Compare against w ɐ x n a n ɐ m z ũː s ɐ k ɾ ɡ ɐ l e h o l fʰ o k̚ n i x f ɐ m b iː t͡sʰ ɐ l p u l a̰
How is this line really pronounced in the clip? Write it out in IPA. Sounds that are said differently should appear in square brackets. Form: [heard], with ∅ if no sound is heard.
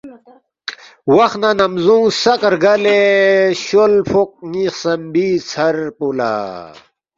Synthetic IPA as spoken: w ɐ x n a n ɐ m z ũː s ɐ k ɾ ɡ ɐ l e [ɕ] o l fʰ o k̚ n i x [s] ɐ m b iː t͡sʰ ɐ [ɾ] p u l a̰